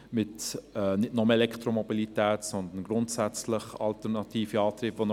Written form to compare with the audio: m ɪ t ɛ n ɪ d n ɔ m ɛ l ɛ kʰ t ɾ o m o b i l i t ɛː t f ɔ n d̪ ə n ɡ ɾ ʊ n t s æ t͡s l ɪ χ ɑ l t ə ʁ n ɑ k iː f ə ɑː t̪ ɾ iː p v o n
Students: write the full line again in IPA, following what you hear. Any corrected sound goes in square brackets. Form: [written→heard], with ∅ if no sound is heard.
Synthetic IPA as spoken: m ɪ t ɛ n ɪ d n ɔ m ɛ l ɛ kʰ t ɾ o m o b i l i t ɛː t [f→s] ɔ n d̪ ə n ɡ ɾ ʊ n t s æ t͡s l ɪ χ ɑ l t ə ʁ n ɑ [k→t] iː f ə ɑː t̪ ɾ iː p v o n